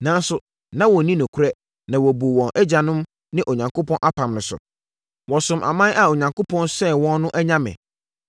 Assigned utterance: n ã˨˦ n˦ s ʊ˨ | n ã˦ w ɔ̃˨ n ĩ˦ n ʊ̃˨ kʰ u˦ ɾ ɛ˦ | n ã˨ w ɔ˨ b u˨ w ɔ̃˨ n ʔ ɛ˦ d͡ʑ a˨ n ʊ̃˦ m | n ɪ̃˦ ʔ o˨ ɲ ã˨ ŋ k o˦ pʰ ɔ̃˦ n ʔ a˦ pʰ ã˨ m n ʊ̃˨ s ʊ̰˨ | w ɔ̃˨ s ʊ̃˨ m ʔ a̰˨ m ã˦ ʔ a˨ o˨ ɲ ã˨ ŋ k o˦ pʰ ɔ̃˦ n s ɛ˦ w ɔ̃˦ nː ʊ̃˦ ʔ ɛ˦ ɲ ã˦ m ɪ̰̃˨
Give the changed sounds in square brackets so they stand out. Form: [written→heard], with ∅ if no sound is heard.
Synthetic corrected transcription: n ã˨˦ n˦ s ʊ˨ | n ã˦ w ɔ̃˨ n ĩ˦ n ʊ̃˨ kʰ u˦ ɾ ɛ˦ | n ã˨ w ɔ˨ b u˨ w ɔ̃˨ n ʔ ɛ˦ d͡ʑ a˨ n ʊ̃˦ m | n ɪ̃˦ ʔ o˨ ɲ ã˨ ŋ k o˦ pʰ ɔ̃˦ n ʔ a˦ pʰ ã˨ m n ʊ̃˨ s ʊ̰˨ | w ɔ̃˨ s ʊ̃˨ m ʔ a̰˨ m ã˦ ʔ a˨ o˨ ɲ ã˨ ŋ k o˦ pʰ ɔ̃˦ n s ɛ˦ w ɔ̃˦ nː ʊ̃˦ ʔ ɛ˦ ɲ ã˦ m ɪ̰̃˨